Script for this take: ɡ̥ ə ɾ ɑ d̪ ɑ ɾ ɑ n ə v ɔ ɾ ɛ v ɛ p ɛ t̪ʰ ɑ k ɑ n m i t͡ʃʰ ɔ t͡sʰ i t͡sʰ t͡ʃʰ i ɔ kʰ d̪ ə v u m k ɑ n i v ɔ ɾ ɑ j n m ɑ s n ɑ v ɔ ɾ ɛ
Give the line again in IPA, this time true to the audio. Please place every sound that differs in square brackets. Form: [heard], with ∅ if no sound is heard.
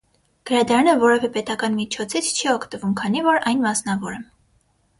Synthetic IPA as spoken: ɡ̥ ə ɾ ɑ d̪ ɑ ɾ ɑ n ə v ɔ ɾ ɛ v ɛ p ɛ [t̪] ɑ k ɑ n m i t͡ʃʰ ɔ t͡sʰ i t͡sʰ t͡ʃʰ i ɔ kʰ [t̪] ə v u m [kʰ] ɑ n i v ɔ ɾ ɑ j n m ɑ s n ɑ v ɔ ɾ ɛ